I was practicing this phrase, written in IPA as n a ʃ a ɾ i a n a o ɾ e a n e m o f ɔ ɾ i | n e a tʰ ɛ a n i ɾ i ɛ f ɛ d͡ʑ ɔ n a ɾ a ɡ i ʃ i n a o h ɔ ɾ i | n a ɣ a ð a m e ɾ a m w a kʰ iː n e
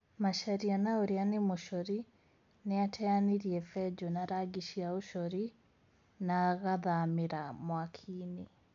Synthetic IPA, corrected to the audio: m a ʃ a ɾ i a n a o ɾ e a n e m o ʃ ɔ ɾ i | n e a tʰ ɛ a n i ɾ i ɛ f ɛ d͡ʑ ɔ n a ɾ a ɡ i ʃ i a o ʃ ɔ ɾ i | n a ɣ a ð a m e ɾ a m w a kʰ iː n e

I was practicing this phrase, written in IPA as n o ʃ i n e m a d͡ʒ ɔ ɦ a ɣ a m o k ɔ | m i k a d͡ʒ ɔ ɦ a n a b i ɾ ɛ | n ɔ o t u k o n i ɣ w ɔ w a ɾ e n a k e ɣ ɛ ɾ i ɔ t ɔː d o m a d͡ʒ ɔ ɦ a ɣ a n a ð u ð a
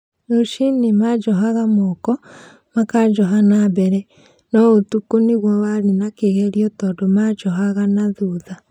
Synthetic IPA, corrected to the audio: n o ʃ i n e m a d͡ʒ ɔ ɦ a ɣ a m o k ɔ | m a k a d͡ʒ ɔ ɦ a n a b ɛ ɾ ɛ | n ɔ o t u k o n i ɣ w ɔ w a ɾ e n a k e ɣ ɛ ɾ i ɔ t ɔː d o m a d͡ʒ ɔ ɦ a ɣ a n a ð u ð a

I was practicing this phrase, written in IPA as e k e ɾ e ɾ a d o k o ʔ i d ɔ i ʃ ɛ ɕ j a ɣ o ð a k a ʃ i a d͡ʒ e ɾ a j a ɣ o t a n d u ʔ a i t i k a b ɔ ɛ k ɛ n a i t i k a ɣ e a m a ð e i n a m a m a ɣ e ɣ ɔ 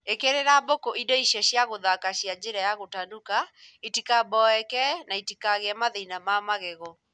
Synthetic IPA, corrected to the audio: e k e ɾ e ɾ a b o k o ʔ i d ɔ i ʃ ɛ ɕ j a ɣ o ð a k a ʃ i a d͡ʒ e ɾ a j a ɣ o t a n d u k a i t i k a b ɔ ɛ k ɛ n a i t i k a ɣ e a m a ð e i n a m a m a ɣ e ɣ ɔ

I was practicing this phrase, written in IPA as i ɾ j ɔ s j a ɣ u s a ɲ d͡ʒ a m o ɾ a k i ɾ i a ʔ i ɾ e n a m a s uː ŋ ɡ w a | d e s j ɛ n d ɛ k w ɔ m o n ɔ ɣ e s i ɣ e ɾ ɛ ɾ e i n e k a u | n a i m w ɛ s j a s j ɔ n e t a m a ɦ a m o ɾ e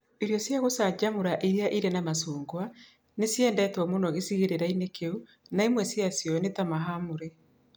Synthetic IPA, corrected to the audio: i ɾ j ɔ s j a ɣ o s a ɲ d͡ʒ a m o ɾ a ʔ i ɾ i a ʔ i ɾ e n a m a s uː ŋ ɡ w a | n e s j ɛ n d ɛ t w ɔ m o n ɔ ɣ e s i ɣ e ɾ e ɾ a i n e k e u | n a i m w ɛ s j a s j ɔ n e t a m a ɦ a m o ɾ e

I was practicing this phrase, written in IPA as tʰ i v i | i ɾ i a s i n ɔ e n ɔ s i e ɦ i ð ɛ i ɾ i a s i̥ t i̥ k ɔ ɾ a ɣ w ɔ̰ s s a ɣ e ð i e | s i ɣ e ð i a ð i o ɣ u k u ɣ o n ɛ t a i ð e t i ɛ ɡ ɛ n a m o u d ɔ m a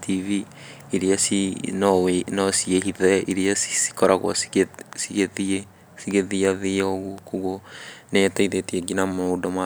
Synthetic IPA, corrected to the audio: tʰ i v i | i ɾ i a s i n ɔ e n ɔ s i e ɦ i ð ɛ i ɾ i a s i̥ s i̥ k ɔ ɾ a ɣ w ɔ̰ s s i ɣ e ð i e | s i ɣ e ð i a ð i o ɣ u k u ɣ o n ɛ t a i ð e t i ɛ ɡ i n a m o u d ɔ m a

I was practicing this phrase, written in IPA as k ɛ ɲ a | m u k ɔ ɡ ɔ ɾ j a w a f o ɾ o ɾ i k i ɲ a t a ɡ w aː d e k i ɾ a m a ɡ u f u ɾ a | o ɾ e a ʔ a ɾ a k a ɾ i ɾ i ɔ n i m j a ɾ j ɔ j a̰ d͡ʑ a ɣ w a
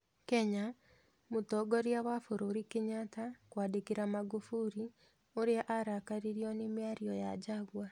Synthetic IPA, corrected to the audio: k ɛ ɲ a | m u t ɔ ɡ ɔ ɾ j a w a f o ɾ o ɾ i k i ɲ a t a k w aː d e k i ɾ a m a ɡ u f u ɾ i | o ɾ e a ʔ a ɾ a k a ɾ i ɾ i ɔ n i m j a ɾ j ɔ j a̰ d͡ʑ a ɣ w a

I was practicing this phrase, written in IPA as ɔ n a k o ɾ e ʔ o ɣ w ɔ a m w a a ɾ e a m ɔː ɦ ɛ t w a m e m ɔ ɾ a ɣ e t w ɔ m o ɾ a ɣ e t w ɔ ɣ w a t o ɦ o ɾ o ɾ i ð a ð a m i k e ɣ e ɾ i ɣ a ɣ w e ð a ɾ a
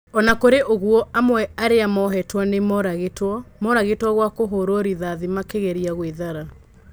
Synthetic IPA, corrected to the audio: ɔ n a k o ɾ e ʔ o ɣ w ɔ a m w ɛ a ɾ e a m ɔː ɦ ɛ t w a n e m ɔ ɾ a ɣ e t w ɔ m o ɾ a ɣ e t w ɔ ɣ w a k o ɦ o ɾ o ɾ i ð a ð i m a k e ɣ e ɾ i a ɣ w e ð a ɾ a

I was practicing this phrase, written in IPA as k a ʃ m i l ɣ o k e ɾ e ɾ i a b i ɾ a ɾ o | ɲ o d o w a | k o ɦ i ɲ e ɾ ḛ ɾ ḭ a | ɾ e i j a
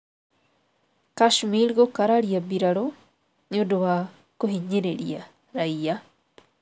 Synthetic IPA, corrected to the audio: k a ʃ m i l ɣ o k a ɾ a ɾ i a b i ɾ a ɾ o | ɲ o d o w a | k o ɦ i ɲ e ɾ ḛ ɾ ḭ a | ɾ a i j a

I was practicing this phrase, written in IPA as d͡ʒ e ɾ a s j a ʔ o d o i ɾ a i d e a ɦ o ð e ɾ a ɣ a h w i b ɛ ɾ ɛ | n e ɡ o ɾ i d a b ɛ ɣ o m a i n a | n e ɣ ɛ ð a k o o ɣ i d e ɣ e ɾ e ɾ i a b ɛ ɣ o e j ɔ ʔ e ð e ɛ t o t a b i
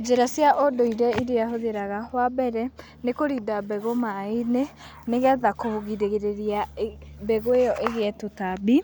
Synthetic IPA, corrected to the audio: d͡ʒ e ɾ a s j a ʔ o d o i ɾ ɛ i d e a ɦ o ð e ɾ a ɣ a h w a b ɛ ɾ ɛ | n e k o ɾ i d a b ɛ ɣ o m a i n e | n e ɣ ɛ ð a k o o ɣ i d e ɣ e ɾ e ɾ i a b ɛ ɣ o e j ɔ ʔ e ɣ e ɛ t o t a b i

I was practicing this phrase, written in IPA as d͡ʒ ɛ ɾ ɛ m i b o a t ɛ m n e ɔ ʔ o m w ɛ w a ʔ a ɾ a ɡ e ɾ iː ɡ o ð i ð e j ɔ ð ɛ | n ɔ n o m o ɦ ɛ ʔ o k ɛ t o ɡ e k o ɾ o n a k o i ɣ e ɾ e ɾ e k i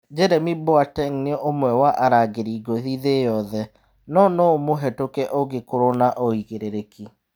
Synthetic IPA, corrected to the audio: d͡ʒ ɛ ɾ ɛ m i b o a t ɛ ŋ n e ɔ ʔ o m w ɛ w a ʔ a ɾ a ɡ e ɾ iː ɡ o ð i ð e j ɔ ð ɛ | n ɔ n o m o ɦ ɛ t o k ɛ ʔ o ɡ e k o ɾ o n a ʔ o i ɣ e ɾ e ɾ e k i

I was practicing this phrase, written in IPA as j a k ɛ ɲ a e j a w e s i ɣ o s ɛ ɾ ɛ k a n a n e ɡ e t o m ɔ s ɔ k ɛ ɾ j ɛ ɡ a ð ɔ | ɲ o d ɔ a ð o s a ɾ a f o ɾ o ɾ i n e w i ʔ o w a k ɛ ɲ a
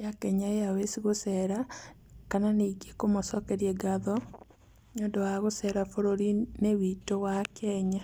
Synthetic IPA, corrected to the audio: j a k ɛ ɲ a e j a w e s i ɣ o s ɛ ɾ a k a n a n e ɡ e k o m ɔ s ɔ k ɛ ɾ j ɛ ɡ a ð ɔ | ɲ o d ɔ a ɣ o s ɛ ɾ a f o ɾ o ɾ i n e w i t o w a k ɛ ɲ a

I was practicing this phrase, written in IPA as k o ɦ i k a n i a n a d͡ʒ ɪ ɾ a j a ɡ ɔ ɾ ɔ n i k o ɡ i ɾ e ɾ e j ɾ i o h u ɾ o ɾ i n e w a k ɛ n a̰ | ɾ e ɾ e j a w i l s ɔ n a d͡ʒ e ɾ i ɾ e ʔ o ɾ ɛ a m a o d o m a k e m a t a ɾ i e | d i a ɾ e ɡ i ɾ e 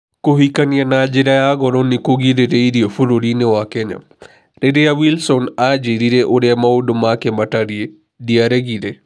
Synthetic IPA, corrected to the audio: k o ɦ i k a n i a n a d͡ʒ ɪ ɾ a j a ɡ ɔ ɾ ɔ n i k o ɡ i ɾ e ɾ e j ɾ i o f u ɾ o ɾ i n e w a k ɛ ɲ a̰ | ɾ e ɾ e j a w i l s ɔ n a d͡ʒ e ɾ i ɾ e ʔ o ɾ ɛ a m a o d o m a k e m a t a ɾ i e | d i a ɾ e ɡ i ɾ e

